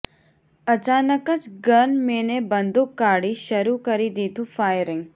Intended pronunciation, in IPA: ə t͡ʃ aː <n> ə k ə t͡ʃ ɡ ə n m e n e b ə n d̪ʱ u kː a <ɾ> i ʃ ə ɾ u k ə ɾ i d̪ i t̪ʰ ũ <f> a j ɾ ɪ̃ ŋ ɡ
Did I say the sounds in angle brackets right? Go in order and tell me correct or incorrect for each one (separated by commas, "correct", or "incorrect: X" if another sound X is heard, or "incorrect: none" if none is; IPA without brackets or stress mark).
correct, incorrect: ɽ, correct